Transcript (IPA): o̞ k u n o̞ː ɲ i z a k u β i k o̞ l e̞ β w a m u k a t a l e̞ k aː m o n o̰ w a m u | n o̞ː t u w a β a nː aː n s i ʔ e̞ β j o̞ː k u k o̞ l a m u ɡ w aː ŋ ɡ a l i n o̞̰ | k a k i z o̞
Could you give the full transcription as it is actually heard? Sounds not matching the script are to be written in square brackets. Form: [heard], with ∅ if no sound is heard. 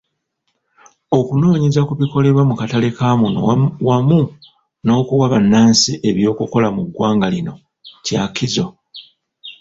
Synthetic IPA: o̞ k u n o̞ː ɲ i z a k u β i k o̞ l e̞ β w a m u k a t a l e̞ k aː m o n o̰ w a m u | n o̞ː [k] u w a β a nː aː n s i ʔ e̞ β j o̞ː k u k o̞ l a m u ɡ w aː ŋ ɡ a l i n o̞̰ | [c] a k i z o̞